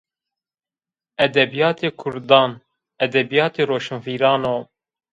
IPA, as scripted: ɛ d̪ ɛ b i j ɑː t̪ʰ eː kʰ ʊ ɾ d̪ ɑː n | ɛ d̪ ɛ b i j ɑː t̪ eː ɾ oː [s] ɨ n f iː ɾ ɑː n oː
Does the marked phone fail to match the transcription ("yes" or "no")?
yes